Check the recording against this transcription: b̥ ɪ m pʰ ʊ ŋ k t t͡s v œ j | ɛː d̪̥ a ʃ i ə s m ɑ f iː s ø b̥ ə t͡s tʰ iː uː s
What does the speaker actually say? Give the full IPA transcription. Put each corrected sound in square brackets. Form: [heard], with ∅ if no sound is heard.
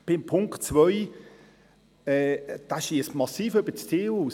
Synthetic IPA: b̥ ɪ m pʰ ʊ ŋ k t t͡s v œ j | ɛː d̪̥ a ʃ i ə s m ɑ [s] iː [f] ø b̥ ə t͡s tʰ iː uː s